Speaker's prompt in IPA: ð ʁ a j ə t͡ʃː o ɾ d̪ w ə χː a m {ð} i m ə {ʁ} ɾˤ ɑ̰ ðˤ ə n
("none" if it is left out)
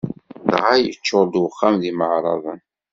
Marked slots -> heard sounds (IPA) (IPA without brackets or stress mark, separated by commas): ð, ʕ